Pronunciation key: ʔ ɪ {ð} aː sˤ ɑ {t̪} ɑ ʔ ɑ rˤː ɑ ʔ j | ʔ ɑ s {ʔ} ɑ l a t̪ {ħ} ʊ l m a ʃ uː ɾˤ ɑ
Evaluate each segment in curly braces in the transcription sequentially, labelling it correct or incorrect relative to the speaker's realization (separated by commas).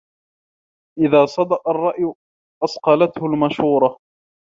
correct, incorrect, incorrect, incorrect